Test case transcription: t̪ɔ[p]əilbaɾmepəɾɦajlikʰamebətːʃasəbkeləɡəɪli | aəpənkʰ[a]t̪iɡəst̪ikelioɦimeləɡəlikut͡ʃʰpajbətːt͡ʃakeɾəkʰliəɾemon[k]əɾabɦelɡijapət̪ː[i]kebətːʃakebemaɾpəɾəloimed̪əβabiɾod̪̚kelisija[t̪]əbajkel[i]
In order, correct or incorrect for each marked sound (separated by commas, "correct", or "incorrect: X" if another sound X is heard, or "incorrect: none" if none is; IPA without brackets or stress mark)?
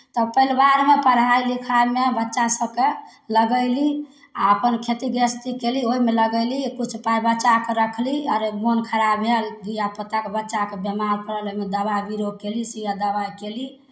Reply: correct, incorrect: e, incorrect: kʰ, incorrect: a, incorrect: d̪, correct